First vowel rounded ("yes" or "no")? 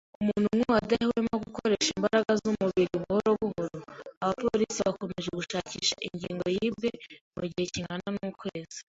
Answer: yes